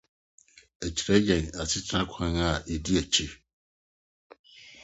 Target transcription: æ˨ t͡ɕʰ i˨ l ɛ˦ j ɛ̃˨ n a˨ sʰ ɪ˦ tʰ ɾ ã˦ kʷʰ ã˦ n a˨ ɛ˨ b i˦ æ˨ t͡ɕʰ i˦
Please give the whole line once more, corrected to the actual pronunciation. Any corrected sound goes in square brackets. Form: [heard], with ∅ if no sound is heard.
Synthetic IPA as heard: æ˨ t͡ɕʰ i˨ [ɾ] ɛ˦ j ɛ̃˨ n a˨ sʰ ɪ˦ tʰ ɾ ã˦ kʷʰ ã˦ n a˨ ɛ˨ [d] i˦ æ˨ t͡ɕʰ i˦